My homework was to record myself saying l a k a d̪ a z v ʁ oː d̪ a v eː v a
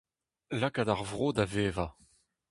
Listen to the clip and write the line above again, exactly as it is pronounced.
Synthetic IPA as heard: l a k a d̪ a ʁ v ʁ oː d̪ a v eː v a